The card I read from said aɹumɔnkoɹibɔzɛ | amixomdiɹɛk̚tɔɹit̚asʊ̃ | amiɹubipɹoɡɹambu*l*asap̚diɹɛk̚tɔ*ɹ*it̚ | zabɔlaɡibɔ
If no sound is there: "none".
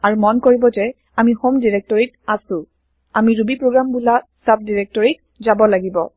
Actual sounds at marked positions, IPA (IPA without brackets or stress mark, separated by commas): l, ɹ